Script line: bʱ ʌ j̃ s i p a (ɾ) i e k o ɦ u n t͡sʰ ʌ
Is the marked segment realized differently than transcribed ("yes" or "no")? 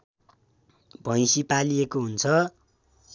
yes